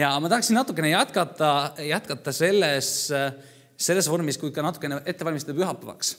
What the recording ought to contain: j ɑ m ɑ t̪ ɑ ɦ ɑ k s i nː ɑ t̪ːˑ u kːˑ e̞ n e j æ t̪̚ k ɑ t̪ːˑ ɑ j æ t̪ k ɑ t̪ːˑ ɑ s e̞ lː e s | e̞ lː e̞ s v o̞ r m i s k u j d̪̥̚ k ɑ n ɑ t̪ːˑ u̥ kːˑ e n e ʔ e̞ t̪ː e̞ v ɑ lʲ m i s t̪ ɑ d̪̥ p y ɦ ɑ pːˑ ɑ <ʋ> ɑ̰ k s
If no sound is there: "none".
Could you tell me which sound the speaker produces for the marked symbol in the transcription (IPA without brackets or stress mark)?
v